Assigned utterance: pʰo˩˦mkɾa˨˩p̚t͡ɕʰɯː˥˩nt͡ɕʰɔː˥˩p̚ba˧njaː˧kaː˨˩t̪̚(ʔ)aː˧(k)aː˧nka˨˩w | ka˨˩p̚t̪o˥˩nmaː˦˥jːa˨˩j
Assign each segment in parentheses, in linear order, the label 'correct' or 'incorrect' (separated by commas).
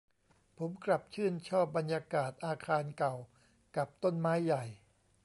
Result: correct, incorrect